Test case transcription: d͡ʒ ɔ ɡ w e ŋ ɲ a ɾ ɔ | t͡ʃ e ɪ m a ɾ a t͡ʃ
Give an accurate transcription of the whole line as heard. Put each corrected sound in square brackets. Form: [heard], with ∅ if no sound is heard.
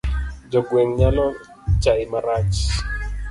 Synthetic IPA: d͡ʒ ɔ ɡ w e ŋ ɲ a [l] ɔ | t͡ʃ [a] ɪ m a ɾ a t͡ʃ